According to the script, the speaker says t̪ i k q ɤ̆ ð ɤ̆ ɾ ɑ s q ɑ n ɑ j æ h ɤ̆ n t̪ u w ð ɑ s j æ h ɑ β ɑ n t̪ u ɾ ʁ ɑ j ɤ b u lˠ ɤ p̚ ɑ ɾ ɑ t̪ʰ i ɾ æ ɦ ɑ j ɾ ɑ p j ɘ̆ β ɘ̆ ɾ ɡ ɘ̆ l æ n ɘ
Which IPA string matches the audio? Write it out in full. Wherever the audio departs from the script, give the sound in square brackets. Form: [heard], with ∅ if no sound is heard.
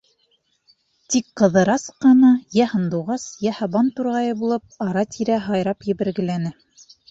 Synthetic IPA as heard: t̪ i k q ɤ̆ ð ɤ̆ ɾ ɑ s q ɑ n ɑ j æ h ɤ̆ n [d̪] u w [ʁ] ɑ s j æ h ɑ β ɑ n t̪ u ɾ ʁ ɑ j ɤ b u lˠ ɤ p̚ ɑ ɾ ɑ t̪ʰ i ɾ æ ɦ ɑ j ɾ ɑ p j ɘ̆ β ɘ̆ ɾ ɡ ɘ̆ l æ n ɘ